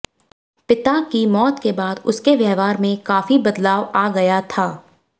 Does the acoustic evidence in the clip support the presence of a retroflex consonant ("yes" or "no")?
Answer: no